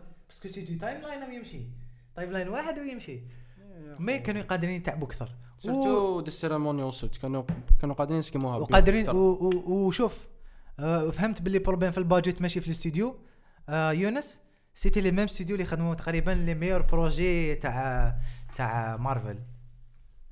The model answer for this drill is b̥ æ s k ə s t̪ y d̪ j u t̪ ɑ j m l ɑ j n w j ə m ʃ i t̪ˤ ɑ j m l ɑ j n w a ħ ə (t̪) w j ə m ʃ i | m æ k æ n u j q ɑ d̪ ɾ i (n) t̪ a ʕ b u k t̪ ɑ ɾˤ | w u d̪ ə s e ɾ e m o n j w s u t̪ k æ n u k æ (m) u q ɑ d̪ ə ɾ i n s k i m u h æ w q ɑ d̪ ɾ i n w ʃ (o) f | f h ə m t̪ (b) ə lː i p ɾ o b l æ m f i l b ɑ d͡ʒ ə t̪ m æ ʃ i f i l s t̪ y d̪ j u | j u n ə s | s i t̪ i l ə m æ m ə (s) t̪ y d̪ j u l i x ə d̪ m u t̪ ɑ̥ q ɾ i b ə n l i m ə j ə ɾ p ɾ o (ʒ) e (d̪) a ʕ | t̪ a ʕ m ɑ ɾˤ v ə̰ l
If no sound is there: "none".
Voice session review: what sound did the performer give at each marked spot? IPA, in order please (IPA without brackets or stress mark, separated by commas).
d̪, n, n, u, b, s, ʒ, t̪